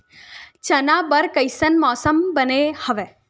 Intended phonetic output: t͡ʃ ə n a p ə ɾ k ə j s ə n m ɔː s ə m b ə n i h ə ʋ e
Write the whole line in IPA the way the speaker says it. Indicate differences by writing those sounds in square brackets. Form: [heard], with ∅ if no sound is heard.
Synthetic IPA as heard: t͡ʃ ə n a [b] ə ɾ k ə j s ə n m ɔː s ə m b ə n [e] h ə ʋ e